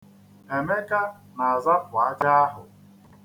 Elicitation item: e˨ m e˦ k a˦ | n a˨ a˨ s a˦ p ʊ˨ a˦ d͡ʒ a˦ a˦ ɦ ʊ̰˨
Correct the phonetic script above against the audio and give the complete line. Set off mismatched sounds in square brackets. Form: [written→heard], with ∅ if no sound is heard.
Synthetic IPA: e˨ m e˦ k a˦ | n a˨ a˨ [s→z] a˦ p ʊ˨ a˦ d͡ʒ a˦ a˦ ɦ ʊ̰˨